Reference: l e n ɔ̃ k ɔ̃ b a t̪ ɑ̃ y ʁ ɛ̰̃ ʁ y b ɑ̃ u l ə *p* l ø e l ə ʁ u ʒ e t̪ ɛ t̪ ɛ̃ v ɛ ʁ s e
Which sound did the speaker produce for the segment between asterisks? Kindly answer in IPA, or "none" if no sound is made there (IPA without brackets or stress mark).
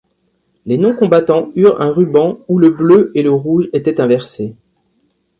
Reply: b